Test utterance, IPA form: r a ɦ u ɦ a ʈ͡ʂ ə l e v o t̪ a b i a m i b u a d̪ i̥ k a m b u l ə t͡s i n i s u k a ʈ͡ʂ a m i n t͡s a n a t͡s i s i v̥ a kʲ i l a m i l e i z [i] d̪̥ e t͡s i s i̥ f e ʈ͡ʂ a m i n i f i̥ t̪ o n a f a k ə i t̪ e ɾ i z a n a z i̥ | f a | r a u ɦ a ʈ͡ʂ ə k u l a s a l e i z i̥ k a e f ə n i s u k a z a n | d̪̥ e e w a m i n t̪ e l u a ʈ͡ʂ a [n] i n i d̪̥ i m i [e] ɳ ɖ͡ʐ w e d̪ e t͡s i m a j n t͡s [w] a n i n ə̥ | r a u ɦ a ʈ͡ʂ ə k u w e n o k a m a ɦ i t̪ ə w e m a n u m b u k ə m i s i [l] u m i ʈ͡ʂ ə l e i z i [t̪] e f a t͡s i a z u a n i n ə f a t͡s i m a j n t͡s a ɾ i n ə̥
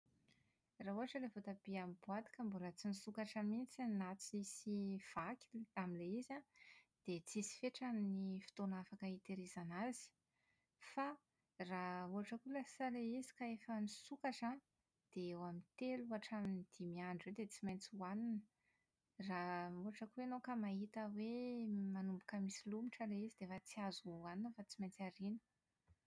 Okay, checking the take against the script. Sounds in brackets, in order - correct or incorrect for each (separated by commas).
incorrect, incorrect, incorrect, incorrect, correct, incorrect